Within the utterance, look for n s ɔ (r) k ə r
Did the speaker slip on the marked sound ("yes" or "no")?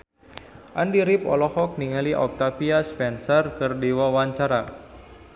no